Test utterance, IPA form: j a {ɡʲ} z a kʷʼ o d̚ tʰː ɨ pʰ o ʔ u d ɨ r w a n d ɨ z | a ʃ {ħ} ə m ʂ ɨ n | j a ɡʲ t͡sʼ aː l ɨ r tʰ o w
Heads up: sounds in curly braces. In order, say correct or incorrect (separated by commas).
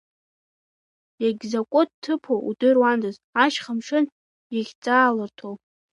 correct, incorrect